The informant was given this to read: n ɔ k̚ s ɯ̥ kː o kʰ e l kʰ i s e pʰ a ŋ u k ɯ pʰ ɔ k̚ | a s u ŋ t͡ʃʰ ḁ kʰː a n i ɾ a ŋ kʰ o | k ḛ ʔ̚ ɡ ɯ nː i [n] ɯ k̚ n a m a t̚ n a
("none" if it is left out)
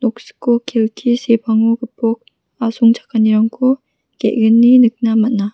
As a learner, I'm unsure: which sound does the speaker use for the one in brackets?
n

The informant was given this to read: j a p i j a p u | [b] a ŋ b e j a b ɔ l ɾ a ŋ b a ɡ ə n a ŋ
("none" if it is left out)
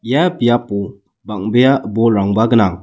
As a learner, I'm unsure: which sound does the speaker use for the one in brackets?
b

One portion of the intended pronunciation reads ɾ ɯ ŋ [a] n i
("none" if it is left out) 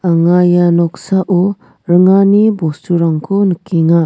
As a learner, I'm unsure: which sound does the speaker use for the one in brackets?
a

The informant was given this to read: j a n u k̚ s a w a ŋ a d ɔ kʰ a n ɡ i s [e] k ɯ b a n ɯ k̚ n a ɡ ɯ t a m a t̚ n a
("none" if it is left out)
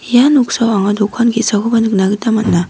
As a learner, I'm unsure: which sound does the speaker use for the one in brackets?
a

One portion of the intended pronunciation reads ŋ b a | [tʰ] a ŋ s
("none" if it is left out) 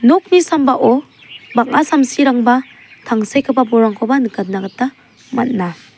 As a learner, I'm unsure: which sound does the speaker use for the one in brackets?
tʰ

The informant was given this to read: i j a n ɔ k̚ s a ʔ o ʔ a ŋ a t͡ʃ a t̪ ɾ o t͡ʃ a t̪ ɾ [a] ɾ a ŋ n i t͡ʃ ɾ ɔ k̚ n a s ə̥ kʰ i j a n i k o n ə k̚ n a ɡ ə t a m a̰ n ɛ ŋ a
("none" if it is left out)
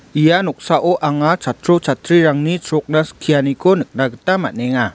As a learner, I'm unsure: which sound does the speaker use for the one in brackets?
i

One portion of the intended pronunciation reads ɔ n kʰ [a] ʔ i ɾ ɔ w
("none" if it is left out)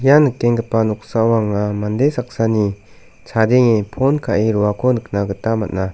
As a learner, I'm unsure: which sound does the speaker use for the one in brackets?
a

